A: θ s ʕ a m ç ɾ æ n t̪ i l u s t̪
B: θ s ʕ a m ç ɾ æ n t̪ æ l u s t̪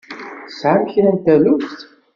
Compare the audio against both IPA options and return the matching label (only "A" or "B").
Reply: B